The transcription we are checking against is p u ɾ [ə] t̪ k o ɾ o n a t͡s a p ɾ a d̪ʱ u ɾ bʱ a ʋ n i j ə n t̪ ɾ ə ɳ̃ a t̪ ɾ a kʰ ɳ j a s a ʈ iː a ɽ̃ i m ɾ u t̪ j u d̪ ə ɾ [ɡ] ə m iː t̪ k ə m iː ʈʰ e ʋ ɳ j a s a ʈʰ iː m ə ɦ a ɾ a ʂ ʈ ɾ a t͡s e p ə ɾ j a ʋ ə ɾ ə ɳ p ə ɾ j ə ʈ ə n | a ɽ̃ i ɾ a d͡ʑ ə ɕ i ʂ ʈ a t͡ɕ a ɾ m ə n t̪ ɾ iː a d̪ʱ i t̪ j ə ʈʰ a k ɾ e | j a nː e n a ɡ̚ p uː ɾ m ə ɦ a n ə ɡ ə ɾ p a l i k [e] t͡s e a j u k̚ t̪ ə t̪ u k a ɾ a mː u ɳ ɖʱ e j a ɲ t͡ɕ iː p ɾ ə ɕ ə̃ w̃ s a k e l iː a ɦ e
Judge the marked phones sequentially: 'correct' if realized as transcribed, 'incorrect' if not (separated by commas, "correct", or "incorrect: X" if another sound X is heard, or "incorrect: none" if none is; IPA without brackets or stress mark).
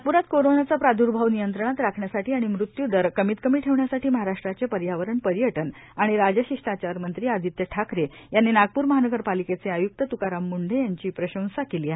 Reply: incorrect: a, incorrect: k, correct